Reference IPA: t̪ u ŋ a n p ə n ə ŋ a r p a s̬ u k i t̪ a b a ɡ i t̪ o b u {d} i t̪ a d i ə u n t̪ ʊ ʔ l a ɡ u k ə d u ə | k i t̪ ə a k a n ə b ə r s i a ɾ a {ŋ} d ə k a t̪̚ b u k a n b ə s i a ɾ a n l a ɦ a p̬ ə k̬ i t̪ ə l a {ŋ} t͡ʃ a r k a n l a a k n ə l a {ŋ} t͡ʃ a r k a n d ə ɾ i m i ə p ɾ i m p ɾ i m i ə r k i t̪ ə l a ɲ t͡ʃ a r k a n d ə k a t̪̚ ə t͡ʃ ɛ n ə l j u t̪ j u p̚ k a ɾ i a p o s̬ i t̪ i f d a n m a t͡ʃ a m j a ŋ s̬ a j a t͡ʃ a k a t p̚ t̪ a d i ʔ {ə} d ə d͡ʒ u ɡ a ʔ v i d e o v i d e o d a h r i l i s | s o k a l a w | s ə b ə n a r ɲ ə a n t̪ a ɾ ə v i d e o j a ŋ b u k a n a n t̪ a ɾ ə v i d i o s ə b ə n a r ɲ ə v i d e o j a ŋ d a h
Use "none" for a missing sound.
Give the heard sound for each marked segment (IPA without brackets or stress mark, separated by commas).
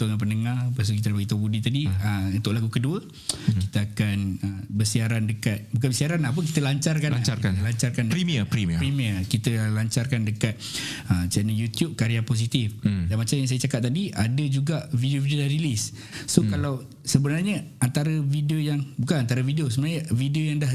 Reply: d, n, ɲ, ɲ, a